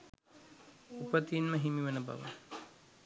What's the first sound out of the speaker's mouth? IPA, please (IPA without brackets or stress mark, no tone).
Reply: u